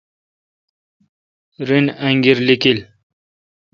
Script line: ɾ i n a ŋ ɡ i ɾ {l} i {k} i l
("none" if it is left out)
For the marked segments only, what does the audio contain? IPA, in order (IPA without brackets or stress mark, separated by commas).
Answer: l, k